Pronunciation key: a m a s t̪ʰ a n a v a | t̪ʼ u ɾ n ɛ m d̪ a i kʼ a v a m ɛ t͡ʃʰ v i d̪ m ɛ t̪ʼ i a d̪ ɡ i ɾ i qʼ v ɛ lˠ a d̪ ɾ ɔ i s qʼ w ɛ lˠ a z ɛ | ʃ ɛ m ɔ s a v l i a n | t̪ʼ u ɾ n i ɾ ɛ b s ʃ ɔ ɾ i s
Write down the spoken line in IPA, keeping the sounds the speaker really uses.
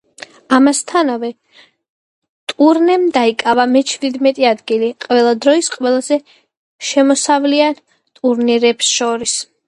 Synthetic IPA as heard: a m a s t̪ʰ a n a v ɛ | t̪ʼ u ɾ n ɛ m d̪ a i kʼ a v a m ɛ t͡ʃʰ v i d̪ m ɛ t̪ʼ i a d̪ ɡ i l i qʼ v ɛ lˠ a d̪ ɾ ɔ i s qʼ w ɛ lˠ a z ɛ | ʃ ɛ m ɔ s a v l i a n | t̪ʼ u ɾ n i ɾ ɛ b s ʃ ɔ ɾ i s